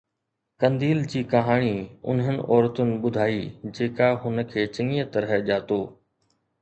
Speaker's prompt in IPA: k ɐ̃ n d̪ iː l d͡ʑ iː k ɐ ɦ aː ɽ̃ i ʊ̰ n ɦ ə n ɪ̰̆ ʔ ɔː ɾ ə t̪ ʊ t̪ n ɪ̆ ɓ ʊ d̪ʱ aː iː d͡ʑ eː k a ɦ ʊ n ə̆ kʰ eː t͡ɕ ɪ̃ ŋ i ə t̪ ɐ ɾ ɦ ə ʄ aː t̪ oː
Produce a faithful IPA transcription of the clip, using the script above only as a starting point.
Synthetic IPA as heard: k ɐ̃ n d̪ iː l d͡ʑ iː k ɐ ɦ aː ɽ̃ i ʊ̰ n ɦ ə n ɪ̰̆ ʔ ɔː ɾ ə t̪ ʊ n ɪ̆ ɓ ʊ d̪ʱ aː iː d͡ʑ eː k a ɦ ʊ n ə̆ kʰ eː t͡ɕ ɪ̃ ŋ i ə t̪ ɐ ɾ ɦ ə ʄ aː t̪ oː